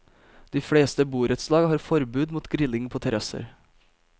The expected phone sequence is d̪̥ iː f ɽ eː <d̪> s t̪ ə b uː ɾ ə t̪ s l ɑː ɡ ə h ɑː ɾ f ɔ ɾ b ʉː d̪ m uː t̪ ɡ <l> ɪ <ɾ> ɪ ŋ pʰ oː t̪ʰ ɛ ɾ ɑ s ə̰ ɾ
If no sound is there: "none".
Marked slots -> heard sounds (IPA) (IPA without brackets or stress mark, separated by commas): none, ɾ, l